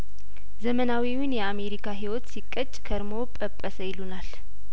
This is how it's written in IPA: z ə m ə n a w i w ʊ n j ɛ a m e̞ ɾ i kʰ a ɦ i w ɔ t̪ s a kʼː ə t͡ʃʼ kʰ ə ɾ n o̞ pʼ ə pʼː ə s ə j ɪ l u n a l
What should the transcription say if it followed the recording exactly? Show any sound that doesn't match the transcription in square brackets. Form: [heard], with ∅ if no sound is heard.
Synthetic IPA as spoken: z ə m ə n a w i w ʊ n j ɛ a m e̞ ɾ i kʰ a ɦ i w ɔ t̪ s [i] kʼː ə t͡ʃʼ kʰ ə ɾ [m] o̞ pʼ ə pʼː ə s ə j ɪ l u n a l